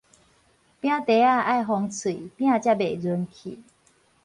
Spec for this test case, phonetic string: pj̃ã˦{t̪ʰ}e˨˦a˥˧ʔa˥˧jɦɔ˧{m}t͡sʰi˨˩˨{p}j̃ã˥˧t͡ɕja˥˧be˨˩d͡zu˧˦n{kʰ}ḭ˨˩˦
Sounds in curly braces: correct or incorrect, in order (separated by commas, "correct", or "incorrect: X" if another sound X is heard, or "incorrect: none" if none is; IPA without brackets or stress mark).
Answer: incorrect: t̪, incorrect: ŋ, correct, correct